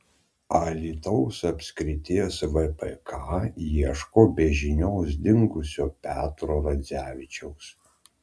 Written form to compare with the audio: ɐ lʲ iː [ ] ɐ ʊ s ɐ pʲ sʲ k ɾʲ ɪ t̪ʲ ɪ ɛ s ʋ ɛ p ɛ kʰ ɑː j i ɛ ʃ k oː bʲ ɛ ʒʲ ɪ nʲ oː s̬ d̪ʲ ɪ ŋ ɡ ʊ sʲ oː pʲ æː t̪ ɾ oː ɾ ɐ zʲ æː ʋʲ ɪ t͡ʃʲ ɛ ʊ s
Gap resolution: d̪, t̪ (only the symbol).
t̪